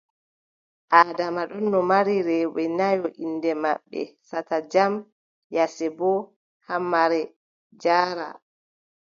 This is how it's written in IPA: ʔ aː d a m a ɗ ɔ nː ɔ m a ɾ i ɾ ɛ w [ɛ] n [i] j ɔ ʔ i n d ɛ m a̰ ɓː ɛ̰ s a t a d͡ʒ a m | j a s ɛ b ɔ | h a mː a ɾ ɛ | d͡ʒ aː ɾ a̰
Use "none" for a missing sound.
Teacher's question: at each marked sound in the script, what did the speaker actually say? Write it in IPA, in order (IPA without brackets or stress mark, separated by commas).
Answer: ɛ, a